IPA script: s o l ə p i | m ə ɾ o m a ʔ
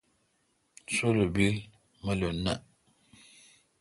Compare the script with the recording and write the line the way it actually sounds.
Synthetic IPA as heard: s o l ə b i | m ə l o n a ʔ